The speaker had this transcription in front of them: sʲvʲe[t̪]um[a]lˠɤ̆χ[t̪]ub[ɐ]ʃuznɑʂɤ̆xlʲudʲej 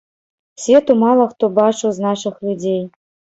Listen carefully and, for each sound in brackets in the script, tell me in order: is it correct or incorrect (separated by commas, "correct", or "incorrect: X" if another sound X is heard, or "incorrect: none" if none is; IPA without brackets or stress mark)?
correct, incorrect: ɑ, correct, incorrect: ɑ